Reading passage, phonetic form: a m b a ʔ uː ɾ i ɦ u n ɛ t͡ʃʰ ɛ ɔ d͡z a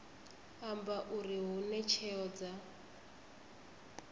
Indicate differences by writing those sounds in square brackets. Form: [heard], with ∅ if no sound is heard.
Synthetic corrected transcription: a m b a ʔ [u] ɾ i ɦ u n ɛ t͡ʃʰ ɛ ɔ d͡z a